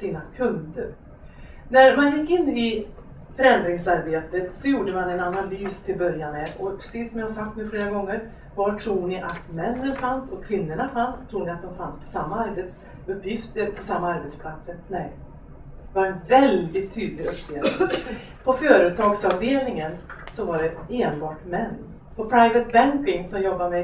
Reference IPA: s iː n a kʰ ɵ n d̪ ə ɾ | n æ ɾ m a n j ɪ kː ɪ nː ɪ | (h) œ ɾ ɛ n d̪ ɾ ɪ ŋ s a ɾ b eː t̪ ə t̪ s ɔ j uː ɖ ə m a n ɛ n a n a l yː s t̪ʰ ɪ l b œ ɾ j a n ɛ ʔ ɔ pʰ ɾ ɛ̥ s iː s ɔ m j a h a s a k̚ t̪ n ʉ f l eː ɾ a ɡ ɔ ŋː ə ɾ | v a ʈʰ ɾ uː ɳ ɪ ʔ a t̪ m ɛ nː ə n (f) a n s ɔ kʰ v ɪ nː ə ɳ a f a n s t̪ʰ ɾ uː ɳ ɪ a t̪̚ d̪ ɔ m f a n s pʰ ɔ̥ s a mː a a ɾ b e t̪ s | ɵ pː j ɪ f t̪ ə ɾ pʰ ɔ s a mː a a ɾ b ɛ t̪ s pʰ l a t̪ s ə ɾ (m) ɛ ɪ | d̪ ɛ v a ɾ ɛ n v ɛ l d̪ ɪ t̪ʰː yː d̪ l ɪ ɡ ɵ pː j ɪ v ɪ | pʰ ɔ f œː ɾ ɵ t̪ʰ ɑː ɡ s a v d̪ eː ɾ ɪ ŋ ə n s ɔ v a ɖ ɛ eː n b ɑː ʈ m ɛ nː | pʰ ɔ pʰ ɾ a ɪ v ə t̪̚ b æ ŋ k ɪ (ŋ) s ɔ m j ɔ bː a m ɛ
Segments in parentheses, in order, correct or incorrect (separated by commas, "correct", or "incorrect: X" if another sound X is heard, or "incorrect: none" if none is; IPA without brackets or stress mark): incorrect: f, correct, incorrect: n, correct